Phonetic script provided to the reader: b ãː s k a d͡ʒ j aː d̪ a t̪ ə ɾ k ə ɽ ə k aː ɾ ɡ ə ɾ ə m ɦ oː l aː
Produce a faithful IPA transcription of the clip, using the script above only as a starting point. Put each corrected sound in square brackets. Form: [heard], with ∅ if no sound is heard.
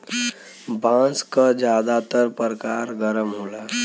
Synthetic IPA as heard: b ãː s k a d͡ʒ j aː d̪ a t̪ ə ɾ [p] ə [ɾ] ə k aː ɾ ɡ ə ɾ ə m ɦ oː l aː